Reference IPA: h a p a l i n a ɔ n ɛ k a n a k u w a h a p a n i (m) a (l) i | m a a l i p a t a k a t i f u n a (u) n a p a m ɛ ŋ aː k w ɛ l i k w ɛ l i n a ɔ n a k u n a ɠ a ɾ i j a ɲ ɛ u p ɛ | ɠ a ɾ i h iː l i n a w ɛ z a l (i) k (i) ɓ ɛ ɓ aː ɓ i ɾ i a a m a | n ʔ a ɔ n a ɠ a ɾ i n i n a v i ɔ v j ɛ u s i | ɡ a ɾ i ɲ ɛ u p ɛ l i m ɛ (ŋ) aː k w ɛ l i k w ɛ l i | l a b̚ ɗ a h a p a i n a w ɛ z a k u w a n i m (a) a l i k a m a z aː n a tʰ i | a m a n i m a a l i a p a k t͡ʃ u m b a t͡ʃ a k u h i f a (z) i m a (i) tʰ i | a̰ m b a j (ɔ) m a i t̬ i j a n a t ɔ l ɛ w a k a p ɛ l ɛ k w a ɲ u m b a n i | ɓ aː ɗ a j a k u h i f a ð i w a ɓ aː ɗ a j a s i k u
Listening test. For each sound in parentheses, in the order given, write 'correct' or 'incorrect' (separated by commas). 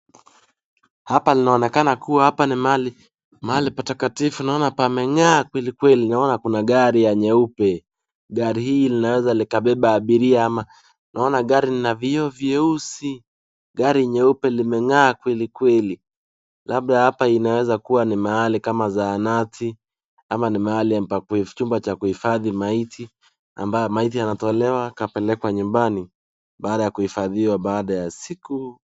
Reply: correct, correct, incorrect, correct, incorrect, correct, correct, incorrect, correct, correct